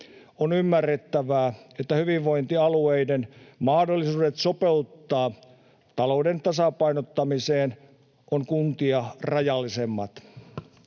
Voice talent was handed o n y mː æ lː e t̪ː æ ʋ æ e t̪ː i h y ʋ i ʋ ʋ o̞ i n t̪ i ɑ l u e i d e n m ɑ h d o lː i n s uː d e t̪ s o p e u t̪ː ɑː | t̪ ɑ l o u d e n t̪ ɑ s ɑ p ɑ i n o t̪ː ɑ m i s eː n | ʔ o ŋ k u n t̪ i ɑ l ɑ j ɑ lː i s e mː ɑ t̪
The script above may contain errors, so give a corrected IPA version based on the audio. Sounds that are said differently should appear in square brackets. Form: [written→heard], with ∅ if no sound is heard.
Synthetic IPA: o n y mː æ [lː→rː] e t̪ː æ ʋ [æ→æː] e t̪ː [i→æ] h y ʋ i ʋ ʋ o̞ i n t̪ i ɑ l u e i d e n m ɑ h d o lː i [n→∅] s uː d e t̪ s o p e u t̪ː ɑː | t̪ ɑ l o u d e n t̪ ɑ s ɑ p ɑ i n o t̪ː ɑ m i s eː n | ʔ o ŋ k u n t̪ i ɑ [l→r] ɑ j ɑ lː i s e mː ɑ t̪